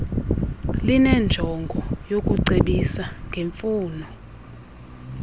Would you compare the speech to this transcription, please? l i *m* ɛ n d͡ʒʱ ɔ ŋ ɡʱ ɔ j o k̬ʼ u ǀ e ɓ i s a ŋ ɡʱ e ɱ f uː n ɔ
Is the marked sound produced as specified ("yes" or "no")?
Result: no